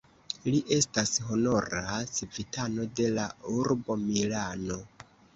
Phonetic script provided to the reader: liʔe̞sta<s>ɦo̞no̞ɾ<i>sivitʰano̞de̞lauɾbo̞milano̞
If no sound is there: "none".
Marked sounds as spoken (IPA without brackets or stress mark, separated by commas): s, a